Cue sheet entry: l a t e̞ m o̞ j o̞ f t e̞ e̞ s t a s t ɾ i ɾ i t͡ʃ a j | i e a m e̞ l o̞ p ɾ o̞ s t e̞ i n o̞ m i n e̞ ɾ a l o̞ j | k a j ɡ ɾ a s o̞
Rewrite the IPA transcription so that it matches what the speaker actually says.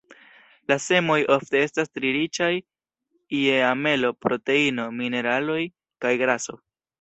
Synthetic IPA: l a s e̞ m o̞ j o̞ f t e̞ e̞ s t a s t ɾ i ɾ i t͡ʃ a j | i e a m e̞ l o̞ p ɾ o̞ t e̞ i n o̞ m i n e̞ ɾ a l o̞ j | k a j ɡ ɾ a s o̞